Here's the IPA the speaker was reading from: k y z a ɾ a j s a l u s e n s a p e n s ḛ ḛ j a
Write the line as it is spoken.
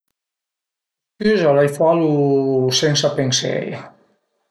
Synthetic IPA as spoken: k y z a l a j f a l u s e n s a p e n s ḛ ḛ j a